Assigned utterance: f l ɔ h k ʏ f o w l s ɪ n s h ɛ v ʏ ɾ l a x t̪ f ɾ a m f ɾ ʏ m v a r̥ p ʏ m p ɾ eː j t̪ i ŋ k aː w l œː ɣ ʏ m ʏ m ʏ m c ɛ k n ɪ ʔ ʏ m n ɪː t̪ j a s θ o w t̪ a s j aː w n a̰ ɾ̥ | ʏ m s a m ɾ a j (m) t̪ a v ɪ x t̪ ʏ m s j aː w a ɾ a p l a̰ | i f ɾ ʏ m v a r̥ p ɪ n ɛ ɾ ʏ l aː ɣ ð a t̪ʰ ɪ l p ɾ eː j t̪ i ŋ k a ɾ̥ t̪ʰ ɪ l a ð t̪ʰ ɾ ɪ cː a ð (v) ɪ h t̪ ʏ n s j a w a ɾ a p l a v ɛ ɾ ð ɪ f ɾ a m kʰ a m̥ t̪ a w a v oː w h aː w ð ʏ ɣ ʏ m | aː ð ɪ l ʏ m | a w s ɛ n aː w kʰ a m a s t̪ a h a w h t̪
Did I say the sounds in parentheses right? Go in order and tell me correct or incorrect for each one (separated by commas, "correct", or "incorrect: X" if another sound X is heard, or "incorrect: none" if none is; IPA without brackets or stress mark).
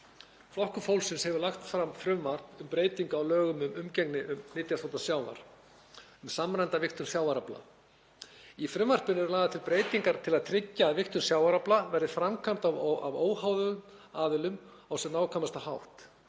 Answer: incorrect: n, correct